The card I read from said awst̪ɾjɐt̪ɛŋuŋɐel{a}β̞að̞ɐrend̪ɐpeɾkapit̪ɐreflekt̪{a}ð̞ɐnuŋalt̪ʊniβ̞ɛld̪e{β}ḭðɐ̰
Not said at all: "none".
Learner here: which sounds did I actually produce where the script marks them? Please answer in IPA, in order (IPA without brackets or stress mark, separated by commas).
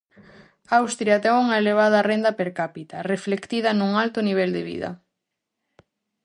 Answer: e, i, β